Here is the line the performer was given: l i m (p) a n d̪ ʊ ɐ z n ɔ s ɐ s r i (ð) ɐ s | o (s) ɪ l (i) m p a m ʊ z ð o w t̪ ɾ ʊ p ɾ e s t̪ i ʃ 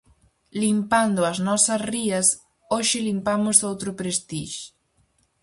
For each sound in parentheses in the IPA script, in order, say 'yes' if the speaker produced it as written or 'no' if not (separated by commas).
yes, no, no, yes